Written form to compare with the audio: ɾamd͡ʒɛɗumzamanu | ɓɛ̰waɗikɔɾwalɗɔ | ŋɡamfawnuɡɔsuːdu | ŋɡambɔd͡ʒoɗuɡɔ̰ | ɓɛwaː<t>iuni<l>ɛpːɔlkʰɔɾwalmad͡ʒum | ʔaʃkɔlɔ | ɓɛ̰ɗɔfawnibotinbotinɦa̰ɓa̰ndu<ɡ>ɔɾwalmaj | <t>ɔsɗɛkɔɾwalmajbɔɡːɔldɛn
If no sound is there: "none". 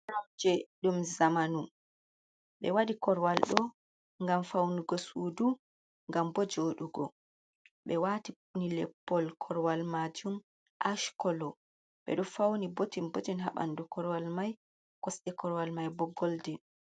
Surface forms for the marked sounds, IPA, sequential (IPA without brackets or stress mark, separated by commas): t, l, k, k